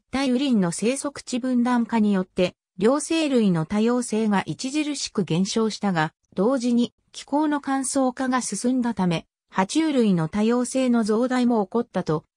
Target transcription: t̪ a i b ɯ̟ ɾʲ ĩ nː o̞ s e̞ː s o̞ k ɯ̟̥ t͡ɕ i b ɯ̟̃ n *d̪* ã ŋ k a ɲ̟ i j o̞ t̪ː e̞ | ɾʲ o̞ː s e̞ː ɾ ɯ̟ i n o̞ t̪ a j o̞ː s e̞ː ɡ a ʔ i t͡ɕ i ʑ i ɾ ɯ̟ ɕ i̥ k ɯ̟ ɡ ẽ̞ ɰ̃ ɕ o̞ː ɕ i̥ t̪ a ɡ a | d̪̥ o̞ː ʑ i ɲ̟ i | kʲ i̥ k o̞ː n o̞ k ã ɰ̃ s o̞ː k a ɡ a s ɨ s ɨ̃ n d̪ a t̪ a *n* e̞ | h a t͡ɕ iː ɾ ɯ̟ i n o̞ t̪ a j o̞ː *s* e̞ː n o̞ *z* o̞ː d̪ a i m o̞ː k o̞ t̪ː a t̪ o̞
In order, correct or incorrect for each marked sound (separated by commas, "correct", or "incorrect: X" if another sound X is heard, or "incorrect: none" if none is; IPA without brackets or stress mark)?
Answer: correct, incorrect: m, correct, correct